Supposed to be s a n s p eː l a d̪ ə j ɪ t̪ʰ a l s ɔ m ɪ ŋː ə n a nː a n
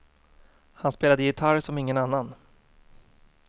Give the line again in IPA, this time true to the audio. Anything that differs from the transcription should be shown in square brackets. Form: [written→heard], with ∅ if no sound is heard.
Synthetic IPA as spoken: [s→h] a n s p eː l a d̪ ə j ɪ t̪ʰ a [l→ɾ] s ɔ m ɪ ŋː ə n a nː a n